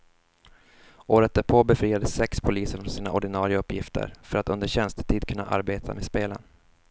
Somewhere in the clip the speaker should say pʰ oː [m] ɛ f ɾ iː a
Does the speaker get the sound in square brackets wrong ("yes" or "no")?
yes